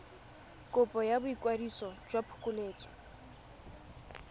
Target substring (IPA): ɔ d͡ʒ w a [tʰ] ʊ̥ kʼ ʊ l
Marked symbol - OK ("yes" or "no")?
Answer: no